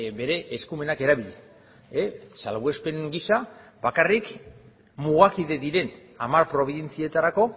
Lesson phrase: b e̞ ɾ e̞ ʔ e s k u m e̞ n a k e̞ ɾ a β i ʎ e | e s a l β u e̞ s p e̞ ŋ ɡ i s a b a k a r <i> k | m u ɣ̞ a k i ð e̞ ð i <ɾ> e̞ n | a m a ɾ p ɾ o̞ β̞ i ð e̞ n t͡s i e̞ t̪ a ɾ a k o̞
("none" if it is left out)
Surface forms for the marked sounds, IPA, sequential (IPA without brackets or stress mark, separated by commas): i, ɾ